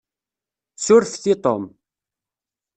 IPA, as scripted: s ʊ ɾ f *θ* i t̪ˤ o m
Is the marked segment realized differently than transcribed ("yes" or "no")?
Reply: no